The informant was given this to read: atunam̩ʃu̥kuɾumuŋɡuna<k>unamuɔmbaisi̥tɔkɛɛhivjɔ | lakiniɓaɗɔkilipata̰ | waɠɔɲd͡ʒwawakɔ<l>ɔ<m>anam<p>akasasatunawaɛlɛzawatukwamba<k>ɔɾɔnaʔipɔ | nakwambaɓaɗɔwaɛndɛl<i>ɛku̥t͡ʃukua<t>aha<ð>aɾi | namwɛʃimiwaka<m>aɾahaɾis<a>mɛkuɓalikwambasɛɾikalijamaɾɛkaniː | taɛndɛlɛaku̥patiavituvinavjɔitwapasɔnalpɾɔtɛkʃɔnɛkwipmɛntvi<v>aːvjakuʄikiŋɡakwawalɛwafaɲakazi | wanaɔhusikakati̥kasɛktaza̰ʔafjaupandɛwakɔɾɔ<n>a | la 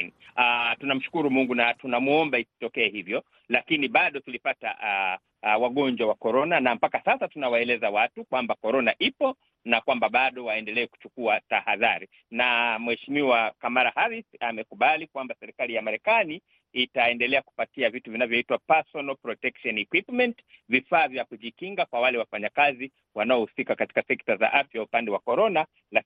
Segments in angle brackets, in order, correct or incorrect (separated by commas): incorrect, incorrect, incorrect, correct, correct, incorrect, correct, correct, correct, correct, incorrect, correct